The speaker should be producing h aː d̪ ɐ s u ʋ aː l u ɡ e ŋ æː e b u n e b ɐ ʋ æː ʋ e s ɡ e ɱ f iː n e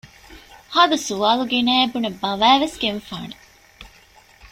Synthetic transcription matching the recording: h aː d̪ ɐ s u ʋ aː l u ɡ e n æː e b u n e b ɐ ʋ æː ʋ e s ɡ e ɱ f aː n e